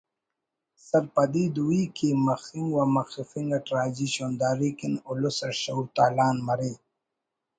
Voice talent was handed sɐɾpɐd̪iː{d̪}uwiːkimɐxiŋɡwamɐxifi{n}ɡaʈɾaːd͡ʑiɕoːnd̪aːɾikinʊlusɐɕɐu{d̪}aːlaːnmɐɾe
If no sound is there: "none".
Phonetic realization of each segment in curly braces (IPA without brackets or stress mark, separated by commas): d̪, ŋ, t̪